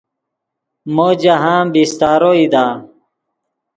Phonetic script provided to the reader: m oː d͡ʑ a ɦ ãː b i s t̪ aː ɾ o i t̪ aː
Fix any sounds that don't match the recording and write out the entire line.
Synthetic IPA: m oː d͡ʑ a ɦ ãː b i s t̪ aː ɾ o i d̪ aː